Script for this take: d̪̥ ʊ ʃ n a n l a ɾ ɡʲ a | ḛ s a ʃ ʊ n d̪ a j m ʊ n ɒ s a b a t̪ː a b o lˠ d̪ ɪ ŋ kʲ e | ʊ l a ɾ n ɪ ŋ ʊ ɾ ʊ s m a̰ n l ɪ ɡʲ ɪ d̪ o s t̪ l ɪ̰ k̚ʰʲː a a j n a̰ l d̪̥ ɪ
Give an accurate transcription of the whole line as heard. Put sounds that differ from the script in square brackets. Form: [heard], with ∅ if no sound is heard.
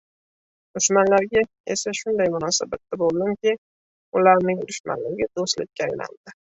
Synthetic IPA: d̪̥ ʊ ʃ [m] a n l a ɾ ɡʲ a | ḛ s a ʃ ʊ n d̪ a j m ʊ n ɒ s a b a t̪ː a b o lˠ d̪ ɪ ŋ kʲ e | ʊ l a ɾ n ɪ ŋ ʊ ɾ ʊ [ʃ] m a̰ n l ɪ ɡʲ ɪ d̪ o s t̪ l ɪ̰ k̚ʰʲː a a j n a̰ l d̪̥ ɪ